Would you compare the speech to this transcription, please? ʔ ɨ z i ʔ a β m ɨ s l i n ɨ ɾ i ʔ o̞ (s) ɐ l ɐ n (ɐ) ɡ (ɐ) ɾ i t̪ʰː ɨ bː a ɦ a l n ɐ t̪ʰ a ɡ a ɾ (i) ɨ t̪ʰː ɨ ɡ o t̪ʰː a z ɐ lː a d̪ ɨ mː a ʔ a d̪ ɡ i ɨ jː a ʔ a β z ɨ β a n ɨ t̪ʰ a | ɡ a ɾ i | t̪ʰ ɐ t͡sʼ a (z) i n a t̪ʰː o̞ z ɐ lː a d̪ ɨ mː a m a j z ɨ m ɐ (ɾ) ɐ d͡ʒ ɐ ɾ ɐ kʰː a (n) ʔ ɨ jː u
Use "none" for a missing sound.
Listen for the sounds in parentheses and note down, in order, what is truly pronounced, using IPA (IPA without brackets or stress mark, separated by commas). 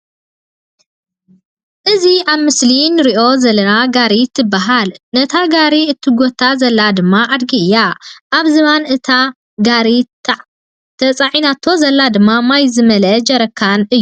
z, a, a, i, ʕ, l, n